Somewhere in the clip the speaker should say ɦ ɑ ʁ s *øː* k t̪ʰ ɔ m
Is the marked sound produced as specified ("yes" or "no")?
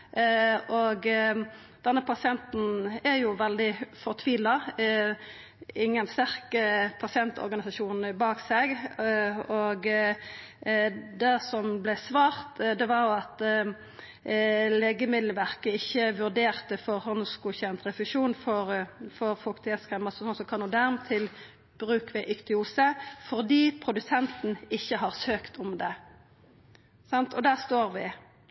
yes